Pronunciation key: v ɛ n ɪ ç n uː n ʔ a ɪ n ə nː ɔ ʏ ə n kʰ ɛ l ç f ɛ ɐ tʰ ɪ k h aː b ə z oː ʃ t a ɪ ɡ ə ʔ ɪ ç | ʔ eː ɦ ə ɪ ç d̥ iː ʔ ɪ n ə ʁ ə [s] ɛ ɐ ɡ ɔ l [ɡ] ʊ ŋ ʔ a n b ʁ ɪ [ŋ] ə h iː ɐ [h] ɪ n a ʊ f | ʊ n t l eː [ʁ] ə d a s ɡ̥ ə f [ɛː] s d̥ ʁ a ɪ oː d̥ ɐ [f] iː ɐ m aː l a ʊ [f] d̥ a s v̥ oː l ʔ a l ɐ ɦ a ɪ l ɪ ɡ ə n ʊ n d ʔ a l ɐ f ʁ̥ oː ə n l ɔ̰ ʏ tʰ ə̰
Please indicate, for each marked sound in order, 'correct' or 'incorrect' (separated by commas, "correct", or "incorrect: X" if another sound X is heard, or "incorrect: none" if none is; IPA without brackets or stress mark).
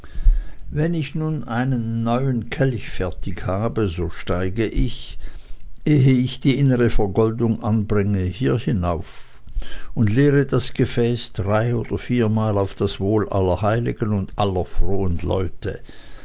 incorrect: f, incorrect: d, correct, correct, correct, correct, correct, correct